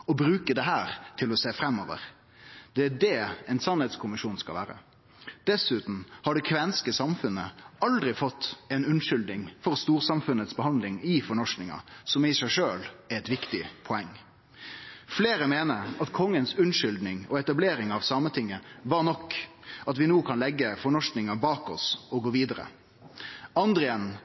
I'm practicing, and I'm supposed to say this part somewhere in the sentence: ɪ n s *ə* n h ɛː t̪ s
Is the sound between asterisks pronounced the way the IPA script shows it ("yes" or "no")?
no